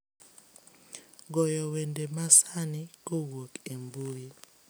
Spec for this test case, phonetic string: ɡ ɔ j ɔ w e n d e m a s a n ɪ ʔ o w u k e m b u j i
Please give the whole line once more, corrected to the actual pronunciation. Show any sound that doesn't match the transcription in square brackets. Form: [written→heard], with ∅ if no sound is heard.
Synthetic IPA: ɡ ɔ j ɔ w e n d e m a s a n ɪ [ʔ→k] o w [u→o] k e m b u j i